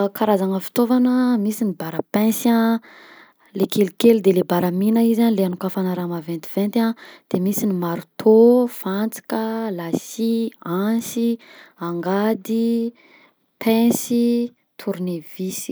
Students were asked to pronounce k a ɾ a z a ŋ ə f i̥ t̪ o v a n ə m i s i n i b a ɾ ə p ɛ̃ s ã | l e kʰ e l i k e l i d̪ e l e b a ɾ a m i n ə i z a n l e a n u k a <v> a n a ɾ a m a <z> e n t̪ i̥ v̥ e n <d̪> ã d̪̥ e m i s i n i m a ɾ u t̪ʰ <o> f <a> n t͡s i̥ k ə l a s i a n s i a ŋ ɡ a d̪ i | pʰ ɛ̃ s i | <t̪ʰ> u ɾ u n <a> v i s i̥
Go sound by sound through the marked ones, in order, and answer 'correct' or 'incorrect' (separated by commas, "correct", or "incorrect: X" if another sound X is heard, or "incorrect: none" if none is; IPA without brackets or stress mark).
incorrect: f, incorrect: v, incorrect: t̪, correct, correct, correct, incorrect: e